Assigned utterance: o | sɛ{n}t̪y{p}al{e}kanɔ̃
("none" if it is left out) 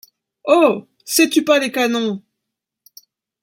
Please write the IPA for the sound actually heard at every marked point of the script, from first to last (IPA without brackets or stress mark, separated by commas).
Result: none, p, e